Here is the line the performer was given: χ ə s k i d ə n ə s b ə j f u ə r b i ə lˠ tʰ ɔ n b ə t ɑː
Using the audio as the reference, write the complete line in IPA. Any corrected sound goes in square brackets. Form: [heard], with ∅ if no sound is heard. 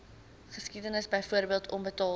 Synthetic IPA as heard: χ ə s k i d ə n ə s b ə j f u ə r b i ə lˠ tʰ ɔ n b ə t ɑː